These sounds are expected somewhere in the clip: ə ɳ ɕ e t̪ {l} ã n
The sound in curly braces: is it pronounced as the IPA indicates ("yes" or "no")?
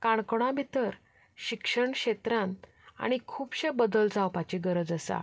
no